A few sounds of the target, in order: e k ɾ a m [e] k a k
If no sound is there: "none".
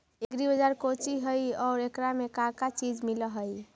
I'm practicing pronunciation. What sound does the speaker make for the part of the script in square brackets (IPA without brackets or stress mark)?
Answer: e